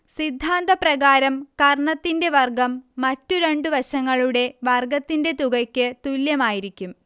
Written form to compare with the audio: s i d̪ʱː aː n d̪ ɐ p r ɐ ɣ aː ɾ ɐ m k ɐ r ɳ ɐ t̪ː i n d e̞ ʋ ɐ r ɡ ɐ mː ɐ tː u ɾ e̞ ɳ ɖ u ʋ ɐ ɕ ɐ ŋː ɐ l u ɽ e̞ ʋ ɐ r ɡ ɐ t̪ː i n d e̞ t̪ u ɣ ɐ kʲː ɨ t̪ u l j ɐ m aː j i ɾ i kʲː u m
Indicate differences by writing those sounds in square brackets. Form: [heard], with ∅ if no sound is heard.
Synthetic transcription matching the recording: s i d̪ʱː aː n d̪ ɐ p r ɐ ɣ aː ɾ ɐ m k ɐ r ɳ ɐ t̪ː i n d e̞ ʋ ɐ r ɡ ɐ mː ɐ tː u ɾ e̞ ɳ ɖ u ʋ ɐ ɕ ɐ ŋː ɐ [ɭ] u ɽ e̞ ʋ ɐ r ɡ ɐ t̪ː i n d e̞ t̪ u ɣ ɐ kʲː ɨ t̪ u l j ɐ m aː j i ɾ i kʲː u m